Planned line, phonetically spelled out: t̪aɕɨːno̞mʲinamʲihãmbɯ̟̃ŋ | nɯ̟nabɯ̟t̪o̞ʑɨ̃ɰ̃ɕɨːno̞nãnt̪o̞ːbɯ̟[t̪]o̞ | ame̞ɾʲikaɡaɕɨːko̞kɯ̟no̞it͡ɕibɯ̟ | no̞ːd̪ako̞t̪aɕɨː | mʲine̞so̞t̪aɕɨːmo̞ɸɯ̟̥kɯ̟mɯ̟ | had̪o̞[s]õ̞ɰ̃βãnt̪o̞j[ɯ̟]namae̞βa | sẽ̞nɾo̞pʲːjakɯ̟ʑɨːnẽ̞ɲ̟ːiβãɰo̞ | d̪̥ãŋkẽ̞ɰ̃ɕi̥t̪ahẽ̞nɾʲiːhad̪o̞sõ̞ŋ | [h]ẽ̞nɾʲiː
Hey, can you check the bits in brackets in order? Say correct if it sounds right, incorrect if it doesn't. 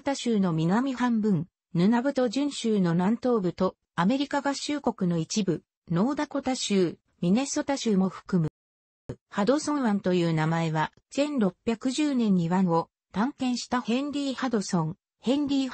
correct, correct, incorrect: ɯ̟ː, correct

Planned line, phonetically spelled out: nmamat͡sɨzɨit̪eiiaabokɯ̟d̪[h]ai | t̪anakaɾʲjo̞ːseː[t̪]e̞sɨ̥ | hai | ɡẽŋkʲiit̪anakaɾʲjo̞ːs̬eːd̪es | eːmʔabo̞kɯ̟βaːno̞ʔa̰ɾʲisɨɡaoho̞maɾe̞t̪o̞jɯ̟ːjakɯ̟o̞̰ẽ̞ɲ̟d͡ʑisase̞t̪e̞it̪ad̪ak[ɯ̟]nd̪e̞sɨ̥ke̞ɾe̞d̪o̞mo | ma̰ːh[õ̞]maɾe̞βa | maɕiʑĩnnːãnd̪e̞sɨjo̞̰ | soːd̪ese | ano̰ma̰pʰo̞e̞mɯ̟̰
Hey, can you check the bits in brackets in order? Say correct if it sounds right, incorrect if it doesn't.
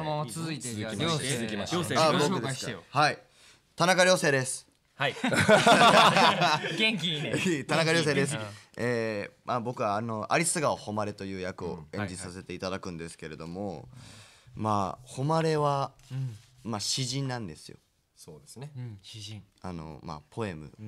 correct, incorrect: d̪, incorrect: ɯ̟̃, incorrect: o̞

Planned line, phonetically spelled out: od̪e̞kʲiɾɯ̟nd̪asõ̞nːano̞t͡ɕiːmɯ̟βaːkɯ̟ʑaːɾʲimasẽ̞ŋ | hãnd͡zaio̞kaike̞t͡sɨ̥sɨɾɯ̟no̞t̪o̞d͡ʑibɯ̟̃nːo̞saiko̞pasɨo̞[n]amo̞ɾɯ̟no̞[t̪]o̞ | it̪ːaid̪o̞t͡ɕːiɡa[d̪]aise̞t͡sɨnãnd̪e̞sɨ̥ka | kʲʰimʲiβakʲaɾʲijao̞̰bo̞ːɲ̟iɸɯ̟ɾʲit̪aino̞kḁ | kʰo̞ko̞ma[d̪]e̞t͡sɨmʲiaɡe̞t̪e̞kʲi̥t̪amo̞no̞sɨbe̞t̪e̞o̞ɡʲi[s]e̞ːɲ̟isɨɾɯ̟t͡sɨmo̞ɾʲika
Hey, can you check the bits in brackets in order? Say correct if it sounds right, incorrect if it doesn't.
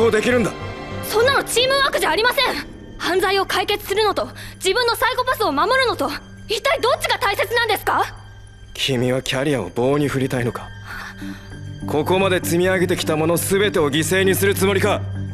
incorrect: m, correct, incorrect: t̪, correct, correct

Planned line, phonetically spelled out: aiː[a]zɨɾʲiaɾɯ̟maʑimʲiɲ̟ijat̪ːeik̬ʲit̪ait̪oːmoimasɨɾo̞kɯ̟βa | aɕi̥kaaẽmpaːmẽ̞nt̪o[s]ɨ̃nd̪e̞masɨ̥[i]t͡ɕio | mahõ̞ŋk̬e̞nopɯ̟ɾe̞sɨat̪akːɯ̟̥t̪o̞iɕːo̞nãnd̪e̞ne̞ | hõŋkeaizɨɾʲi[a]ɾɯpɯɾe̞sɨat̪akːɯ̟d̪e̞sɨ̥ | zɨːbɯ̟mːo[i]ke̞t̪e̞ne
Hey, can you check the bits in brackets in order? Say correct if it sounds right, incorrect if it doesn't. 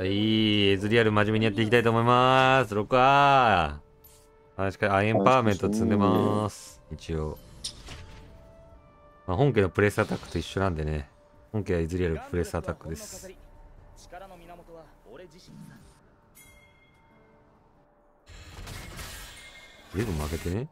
incorrect: e, incorrect: t͡s, correct, correct, incorrect: a

